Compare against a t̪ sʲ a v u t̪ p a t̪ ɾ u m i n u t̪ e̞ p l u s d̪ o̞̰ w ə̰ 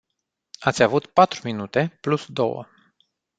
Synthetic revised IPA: a t̪ sʲ a v u t̪ p a t̪ ɾ u m i n u t̪ e̞ p l u s d̪ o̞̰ w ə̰